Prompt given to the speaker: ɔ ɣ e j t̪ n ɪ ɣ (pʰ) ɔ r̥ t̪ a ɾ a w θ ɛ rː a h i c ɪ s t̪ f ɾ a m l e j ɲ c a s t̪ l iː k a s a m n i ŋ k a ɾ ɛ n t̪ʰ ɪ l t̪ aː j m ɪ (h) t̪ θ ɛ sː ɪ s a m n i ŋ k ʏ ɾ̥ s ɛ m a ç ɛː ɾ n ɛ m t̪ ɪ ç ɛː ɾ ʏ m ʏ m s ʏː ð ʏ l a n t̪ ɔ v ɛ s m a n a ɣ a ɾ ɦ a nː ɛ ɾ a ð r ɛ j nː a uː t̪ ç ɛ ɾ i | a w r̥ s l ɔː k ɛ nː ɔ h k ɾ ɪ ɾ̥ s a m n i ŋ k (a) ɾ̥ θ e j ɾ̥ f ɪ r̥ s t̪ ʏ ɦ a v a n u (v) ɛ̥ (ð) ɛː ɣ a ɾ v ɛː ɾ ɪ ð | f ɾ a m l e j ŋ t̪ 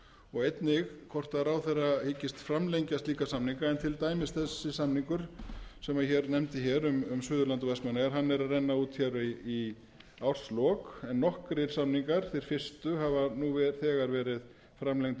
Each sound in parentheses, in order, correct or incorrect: incorrect: kʰ, incorrect: s, correct, correct, incorrect: θ

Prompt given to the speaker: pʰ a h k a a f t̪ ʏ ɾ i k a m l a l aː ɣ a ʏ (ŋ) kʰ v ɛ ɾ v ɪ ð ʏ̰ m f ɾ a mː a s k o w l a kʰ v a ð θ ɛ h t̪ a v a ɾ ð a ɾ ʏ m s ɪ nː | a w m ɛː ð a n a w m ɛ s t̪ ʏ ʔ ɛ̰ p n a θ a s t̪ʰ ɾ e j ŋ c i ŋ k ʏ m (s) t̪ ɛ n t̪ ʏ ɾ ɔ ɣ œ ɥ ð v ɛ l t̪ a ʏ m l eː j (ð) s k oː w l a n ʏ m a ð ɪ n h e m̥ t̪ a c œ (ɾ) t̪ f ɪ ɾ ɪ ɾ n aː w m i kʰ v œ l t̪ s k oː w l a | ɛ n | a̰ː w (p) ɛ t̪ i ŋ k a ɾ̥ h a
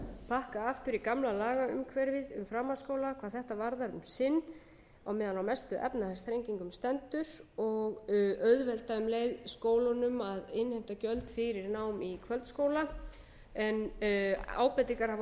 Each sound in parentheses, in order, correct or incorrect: incorrect: m, correct, correct, incorrect: l, correct

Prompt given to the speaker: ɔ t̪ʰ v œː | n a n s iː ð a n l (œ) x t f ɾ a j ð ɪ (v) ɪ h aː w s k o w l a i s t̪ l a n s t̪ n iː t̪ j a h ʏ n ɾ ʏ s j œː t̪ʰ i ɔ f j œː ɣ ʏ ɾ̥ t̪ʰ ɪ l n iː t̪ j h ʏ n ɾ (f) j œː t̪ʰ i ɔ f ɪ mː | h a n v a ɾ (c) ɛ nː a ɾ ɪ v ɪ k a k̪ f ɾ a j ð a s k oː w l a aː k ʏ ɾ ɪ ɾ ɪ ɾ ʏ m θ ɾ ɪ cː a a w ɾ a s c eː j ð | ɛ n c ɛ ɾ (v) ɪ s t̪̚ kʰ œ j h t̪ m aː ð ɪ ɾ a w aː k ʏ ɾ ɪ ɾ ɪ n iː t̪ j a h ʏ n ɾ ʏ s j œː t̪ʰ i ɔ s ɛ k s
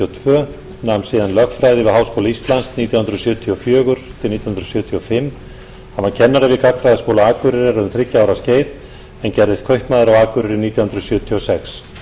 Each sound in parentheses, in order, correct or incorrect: correct, correct, incorrect: s, incorrect: cʰ, incorrect: ð

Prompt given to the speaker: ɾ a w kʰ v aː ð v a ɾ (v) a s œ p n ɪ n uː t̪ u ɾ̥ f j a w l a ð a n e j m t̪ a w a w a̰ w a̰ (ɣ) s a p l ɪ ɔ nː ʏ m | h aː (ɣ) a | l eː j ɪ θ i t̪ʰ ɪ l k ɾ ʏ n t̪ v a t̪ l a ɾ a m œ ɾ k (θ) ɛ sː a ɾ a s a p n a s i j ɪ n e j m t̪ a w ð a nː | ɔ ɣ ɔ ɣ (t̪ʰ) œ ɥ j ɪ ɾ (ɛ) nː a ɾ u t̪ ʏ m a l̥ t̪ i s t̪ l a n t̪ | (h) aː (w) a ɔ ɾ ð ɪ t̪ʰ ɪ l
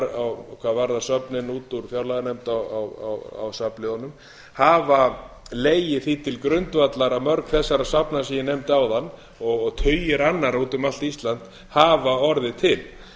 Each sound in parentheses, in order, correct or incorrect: incorrect: ð, incorrect: w, incorrect: v, correct, correct, incorrect: a, correct, incorrect: v

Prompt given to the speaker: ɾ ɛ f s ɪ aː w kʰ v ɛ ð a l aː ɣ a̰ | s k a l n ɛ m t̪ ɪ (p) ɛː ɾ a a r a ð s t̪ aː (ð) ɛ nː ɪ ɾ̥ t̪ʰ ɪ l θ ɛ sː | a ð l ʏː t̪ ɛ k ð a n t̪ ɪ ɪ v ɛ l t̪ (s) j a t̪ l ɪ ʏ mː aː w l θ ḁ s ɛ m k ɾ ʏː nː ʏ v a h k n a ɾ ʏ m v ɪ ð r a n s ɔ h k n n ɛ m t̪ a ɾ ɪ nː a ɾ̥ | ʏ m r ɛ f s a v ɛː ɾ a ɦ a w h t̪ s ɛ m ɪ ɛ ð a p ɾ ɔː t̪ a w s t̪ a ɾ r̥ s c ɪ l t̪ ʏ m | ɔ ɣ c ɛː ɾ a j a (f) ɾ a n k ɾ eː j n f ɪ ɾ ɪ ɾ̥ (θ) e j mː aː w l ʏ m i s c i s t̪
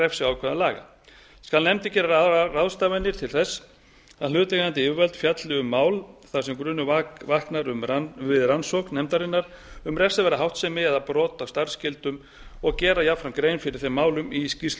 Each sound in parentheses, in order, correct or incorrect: incorrect: c, incorrect: v, incorrect: f, correct, correct

